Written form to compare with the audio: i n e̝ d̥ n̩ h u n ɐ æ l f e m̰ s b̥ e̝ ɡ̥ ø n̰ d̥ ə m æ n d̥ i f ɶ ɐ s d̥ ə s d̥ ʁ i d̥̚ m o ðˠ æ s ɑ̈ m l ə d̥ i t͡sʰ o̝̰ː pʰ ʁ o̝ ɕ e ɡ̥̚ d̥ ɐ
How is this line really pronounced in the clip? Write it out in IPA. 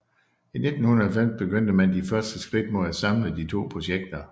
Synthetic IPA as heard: i n e̝ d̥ n̩ h u n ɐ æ l f e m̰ s b̥ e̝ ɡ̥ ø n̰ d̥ ə m æ n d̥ i f ɶ ɐ s d̥ ə s ɡ̥ ʁ i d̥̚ m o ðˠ æ s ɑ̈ m l ə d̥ i t͡sʰ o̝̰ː pʰ ʁ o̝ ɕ e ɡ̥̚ d̥ ɐ